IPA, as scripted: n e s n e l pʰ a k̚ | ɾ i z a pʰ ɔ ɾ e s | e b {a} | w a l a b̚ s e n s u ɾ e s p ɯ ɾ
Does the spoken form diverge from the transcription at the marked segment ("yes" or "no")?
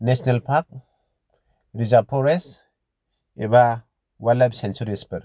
no